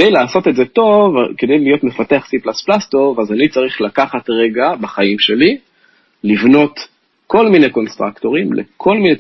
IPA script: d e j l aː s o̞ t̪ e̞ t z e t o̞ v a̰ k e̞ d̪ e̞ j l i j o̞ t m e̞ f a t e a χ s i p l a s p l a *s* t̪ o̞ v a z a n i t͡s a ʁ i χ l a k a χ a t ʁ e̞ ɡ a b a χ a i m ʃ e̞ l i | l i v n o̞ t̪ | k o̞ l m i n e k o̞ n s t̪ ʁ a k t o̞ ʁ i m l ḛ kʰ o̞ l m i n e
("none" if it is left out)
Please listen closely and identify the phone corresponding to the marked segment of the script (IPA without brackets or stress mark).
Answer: s